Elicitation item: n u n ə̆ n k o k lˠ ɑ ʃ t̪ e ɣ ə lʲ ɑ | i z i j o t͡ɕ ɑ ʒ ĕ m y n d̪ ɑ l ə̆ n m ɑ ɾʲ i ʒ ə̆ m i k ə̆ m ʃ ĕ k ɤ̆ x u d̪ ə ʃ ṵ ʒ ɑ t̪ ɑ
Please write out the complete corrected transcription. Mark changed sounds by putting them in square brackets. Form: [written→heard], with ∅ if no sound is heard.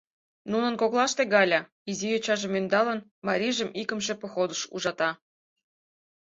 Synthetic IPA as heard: n u n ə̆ n k o k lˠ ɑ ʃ t̪ e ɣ [ə→ɑ] lʲ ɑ | i z i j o t͡ɕ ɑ ʒ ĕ m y n d̪ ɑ l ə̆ n m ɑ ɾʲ i ʒ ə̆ m i k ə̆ m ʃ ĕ [k→p] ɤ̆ x [u→o] d̪ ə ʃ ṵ ʒ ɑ t̪ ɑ